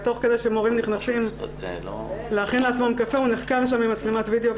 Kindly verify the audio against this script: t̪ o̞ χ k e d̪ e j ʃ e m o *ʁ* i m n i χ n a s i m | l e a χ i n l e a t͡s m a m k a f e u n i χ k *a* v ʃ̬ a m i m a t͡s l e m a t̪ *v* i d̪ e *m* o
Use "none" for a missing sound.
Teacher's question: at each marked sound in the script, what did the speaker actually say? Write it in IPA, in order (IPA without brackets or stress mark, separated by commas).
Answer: ʁ, a, v, none